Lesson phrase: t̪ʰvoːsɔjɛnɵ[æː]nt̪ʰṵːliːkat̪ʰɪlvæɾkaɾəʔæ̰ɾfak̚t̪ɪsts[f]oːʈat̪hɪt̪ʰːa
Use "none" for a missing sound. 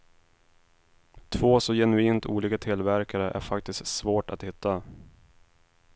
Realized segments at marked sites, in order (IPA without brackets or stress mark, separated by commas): iː, v